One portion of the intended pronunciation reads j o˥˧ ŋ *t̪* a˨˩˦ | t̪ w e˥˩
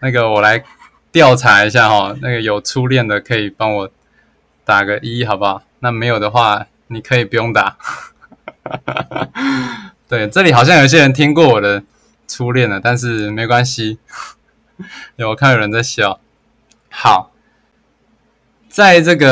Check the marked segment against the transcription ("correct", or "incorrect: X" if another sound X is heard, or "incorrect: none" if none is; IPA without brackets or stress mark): correct